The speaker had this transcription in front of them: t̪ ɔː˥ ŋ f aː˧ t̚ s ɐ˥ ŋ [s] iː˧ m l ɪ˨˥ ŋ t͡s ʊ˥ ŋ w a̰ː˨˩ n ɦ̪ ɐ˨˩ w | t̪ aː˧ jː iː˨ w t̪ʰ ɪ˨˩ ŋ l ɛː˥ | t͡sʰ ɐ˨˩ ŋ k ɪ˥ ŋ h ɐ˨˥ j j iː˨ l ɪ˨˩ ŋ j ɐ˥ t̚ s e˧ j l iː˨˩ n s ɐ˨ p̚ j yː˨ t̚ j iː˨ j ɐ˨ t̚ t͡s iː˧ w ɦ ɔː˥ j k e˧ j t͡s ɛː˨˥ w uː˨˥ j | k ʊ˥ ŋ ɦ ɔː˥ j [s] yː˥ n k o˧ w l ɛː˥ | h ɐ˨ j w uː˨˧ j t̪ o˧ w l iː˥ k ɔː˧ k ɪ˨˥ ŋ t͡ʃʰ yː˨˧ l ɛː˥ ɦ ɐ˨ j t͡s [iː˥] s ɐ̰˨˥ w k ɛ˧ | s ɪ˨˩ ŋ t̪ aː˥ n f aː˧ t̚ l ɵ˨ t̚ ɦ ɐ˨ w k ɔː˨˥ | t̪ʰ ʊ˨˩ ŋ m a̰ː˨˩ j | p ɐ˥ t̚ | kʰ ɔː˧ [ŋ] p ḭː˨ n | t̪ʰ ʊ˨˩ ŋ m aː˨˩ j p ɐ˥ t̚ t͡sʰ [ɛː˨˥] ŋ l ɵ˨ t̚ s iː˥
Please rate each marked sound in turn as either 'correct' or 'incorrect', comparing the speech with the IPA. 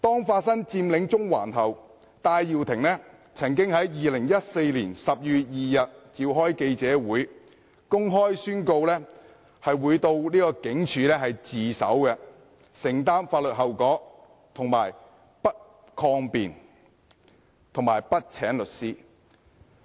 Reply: incorrect, correct, incorrect, correct, correct

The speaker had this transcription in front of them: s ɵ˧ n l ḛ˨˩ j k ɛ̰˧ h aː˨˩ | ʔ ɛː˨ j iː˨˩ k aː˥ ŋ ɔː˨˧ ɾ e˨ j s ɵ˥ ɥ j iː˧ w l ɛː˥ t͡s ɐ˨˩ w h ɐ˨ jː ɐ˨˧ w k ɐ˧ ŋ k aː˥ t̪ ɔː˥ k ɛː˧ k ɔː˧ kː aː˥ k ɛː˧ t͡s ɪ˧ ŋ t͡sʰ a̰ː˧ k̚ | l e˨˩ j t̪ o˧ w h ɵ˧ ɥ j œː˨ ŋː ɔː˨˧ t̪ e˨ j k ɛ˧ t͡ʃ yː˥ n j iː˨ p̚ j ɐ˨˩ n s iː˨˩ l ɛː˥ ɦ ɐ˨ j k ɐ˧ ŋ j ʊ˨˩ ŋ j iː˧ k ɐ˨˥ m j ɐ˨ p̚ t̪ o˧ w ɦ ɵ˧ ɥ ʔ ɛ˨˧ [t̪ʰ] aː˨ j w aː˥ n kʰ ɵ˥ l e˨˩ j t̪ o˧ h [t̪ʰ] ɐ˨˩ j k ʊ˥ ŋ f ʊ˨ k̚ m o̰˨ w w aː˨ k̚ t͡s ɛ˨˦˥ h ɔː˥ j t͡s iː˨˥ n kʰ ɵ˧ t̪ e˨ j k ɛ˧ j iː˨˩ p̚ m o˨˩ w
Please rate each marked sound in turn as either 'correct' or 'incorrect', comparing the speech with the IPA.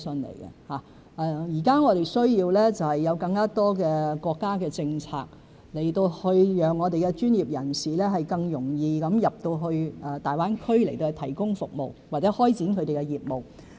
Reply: incorrect, correct

